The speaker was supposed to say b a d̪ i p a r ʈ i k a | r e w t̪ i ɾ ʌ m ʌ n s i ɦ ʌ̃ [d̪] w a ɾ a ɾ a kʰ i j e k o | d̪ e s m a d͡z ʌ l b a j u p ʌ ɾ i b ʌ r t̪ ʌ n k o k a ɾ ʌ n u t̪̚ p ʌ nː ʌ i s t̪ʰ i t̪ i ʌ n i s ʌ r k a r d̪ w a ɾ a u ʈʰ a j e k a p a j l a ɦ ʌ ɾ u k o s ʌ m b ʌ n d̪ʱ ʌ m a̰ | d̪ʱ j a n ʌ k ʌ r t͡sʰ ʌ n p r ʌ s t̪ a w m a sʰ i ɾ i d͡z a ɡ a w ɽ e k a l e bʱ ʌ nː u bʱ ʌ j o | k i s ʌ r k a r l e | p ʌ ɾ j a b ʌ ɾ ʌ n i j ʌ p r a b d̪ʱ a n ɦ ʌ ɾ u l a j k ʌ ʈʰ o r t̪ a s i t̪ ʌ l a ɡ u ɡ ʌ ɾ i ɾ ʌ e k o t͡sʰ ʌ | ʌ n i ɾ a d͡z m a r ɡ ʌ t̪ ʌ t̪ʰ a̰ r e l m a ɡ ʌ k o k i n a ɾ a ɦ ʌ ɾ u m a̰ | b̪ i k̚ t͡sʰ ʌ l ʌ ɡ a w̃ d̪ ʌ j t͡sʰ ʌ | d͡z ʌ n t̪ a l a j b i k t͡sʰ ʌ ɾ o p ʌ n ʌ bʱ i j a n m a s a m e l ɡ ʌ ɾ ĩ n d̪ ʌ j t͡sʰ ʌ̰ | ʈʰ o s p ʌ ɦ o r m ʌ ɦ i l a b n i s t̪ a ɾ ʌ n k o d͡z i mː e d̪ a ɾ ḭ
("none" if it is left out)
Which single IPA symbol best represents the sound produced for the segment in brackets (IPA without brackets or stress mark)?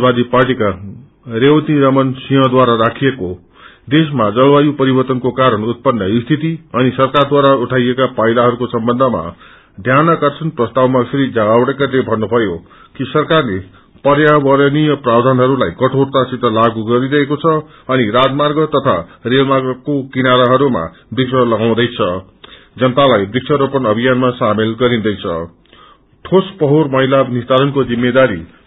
d̪